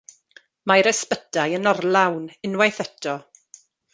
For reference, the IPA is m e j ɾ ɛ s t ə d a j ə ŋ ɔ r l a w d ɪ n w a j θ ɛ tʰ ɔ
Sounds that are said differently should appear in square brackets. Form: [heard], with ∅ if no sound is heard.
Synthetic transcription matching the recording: m [a] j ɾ ɛ s [p] ə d a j ə [n] ɔ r l a w [n] ɪ n w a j θ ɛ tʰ ɔ